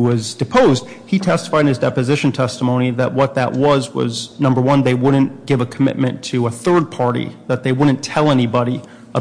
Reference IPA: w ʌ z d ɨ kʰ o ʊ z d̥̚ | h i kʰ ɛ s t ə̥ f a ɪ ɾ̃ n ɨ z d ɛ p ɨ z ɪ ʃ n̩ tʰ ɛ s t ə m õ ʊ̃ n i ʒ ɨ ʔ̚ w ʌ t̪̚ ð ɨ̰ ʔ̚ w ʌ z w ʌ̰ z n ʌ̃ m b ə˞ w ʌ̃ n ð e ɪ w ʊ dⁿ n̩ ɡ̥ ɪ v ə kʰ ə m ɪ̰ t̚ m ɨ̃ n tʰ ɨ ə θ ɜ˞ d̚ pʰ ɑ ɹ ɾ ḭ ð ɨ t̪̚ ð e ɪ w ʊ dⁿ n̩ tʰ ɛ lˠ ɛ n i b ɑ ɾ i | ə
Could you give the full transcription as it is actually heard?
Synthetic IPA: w ʌ z d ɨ pʰ o ʊ z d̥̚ | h i tʰ ɛ s t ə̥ f a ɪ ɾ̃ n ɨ z d ɛ p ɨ z ɪ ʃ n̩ tʰ ɛ s t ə m õ ʊ̃ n i ð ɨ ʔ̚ w ʌ t̪̚ ð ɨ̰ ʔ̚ w ʌ z w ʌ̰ z n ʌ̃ m b ə˞ w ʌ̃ n ð e ɪ w ʊ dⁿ n̩ ɡ̥ ɪ v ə kʰ ə m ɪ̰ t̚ m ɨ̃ n tʰ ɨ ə θ ɜ˞ d̚ pʰ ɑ ɹ ɾ ḭ ð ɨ t̪̚ ð e ɪ w ʊ dⁿ n̩ tʰ ɛ lˠ ɛ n i b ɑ ɾ i | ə

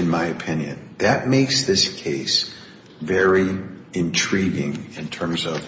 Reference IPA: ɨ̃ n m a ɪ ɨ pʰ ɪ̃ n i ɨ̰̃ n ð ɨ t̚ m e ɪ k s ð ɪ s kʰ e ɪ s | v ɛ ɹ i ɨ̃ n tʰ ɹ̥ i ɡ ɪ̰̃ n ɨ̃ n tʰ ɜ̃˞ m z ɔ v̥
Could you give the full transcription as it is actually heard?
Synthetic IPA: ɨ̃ n m a ɪ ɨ pʰ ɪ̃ n j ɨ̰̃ n ð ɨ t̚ m e ɪ k s ð ɪ s kʰ e ɪ s | v ɛ ɹ i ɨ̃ n tʰ ɹ̥ i ɡ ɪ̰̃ ŋ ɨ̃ n tʰ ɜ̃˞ m z ʌ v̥

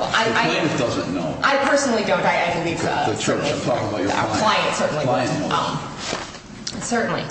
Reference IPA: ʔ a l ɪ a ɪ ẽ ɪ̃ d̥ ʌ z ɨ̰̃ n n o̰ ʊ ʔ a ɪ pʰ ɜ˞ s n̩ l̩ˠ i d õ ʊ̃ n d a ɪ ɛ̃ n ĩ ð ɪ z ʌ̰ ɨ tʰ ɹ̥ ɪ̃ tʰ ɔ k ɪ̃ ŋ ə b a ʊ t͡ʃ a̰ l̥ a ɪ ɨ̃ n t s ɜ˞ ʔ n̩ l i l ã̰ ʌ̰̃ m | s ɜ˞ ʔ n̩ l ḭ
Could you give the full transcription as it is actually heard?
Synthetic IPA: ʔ a ɪ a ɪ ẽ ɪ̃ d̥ ʌ z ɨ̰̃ n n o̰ ʊ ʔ a ɪ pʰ ɜ˞ s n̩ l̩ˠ i d õ ʊ̃ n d a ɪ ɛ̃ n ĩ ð i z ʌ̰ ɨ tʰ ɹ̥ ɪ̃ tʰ ɔ k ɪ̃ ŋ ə b a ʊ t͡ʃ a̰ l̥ a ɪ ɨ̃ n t s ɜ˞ ʔ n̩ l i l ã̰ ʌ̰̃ m | s ɜ˞ ʔ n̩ l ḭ

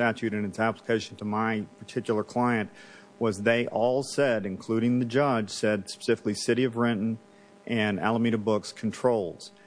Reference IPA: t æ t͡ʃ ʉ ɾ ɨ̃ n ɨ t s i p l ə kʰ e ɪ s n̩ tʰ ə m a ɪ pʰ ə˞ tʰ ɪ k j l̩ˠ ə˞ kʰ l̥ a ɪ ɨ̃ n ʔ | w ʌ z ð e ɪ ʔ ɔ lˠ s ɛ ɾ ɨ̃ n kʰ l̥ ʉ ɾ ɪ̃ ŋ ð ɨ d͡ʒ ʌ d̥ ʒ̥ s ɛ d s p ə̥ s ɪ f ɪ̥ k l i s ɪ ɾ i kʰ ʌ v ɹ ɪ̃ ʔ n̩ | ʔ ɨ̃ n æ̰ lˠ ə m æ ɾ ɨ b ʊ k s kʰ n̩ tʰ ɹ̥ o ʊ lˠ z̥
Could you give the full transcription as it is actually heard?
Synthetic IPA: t æ t͡ʃ ʉ ɾ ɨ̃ n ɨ t s æ p l ə kʰ e ɪ ʃ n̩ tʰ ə m a ɪ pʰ ə˞ tʰ ɪ k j l̩ˠ ə˞ kʰ l̥ a ɪ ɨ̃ n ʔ | w ʌ z ð e ɪ ʔ ɔ lˠ s ɛ ɾ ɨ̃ n kʰ l̥ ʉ ɾ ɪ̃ ŋ ð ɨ d͡ʒ ʌ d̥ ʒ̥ s ɛ d s p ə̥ s ɪ f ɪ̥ k l i s ɪ ɾ i ʌ v ɹ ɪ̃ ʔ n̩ | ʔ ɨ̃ n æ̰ lˠ ə m i ɾ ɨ b ʊ k s kʰ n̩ tʰ ɹ̥ o ʊ lˠ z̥

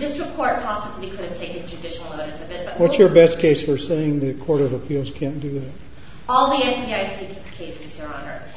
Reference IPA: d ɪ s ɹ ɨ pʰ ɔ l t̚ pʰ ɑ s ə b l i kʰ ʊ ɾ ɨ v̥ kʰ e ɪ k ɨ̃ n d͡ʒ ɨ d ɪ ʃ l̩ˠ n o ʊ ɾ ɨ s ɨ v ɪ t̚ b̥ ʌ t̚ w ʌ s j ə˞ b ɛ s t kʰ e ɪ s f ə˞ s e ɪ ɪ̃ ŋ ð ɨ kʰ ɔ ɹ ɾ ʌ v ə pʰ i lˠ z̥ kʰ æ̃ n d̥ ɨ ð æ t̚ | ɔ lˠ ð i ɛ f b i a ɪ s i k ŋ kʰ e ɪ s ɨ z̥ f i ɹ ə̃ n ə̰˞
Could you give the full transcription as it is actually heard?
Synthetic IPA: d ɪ s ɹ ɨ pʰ ɔ ɹ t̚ pʰ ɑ s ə b l i kʰ ʊ ɾ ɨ v̥ tʰ e ɪ k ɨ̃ n d͡ʒ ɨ d ɪ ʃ l̩ˠ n o ʊ ɾ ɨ s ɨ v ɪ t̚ b̥ ʌ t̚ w ʌ s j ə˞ b ɛ s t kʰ e ɪ s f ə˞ s e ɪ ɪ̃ ŋ ð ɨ kʰ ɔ ɹ ɾ ʌ v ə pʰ i lˠ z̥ kʰ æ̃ n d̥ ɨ ð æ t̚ | ɔ lˠ ð i ɛ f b i a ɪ s i k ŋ kʰ e ɪ s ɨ z̥ h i ɹ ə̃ n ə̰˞

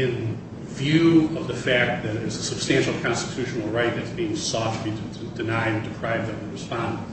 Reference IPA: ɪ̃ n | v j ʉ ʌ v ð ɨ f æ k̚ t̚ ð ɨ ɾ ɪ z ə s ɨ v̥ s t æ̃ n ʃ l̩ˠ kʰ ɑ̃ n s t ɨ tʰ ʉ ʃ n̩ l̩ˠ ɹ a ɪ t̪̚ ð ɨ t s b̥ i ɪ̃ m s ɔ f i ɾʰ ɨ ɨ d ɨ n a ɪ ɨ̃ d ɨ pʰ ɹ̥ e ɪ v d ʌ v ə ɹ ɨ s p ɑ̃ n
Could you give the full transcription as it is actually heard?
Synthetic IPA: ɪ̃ n | v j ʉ ʌ v ð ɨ f æ k̚ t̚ ð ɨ ɾ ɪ z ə s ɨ b̥ s t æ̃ n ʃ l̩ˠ kʰ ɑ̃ n s t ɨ tʰ ʉ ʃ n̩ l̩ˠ ɹ a ɪ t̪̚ ð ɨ t s b̥ i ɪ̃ ŋ s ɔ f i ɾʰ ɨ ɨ d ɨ n a ɪ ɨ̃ d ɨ pʰ ɹ̥ a ɪ v d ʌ v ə ɹ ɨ s p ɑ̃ n

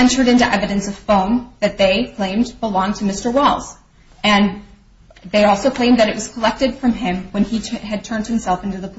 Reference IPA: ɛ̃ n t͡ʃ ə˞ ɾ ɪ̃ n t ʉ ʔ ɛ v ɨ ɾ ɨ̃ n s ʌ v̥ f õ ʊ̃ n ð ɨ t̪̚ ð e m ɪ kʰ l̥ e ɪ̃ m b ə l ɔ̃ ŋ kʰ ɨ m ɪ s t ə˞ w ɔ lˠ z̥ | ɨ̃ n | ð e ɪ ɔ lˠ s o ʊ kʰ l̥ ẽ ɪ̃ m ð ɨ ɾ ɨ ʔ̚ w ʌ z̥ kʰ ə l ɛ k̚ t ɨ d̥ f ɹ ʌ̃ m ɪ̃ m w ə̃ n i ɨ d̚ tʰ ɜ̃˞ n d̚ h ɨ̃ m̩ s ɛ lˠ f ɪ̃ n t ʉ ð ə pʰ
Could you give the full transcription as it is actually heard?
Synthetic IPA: ɛ̃ n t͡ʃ ə˞ ɾ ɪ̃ n t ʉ ʔ ɛ v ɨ ɾ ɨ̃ n s ʌ v̥ f õ ʊ̃ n ð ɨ t̪̚ ð e ɪ kʰ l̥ ẽ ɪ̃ m b ə l ɔ̃ ŋ tʰ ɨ m ɪ s t ə˞ w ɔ lˠ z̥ | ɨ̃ n | ð e ɪ ɔ lˠ s o ʊ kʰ l̥ ẽ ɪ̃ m ð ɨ ɾ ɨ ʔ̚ w ʌ z̥ kʰ ə l ɛ k̚ t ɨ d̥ f ɹ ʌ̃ m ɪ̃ m w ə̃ n i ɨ d̚ tʰ ɜ̃˞ n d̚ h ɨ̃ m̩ s ɛ lˠ f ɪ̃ n t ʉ ð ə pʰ

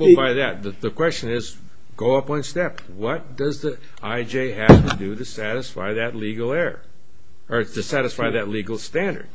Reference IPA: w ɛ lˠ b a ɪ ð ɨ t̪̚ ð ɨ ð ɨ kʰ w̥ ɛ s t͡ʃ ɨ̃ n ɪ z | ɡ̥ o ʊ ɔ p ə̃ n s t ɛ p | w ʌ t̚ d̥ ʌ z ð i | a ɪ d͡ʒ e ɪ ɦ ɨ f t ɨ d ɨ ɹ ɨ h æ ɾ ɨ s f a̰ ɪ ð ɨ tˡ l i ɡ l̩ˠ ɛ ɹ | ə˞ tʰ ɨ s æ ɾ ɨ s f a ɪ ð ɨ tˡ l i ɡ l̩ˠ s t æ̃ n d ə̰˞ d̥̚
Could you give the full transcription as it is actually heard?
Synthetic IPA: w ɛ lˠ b a ɪ ð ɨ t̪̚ ð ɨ ð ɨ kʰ w̥ ɛ s t͡ʃ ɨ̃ n ɪ z | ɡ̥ o ʊ ʌ p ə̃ n s t ɛ p | w ʌ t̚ d̥ ʌ z ð i | a ɪ d͡ʒ e ɪ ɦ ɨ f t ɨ d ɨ ɾ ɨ s æ ɾ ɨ s f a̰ ɪ ð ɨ tˡ l i ɡ l̩ˠ ɛ ɹ | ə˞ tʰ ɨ s æ ɾ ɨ s f a ɪ ð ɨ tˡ l i ɡ l̩ˠ s t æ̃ n d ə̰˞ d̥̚

